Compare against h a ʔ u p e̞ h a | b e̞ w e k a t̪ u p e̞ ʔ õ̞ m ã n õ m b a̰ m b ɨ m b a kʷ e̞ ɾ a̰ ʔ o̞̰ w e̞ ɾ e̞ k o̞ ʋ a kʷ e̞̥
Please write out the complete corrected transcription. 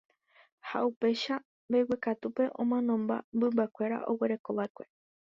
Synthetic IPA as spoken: h a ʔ u p e̞ ʃ a | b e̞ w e k a t̪ u p e̞ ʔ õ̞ m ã n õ m b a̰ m b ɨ m b a kʷ e̞ ɾ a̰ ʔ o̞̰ w e̞ ɾ e̞ k o̞ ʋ a kʷ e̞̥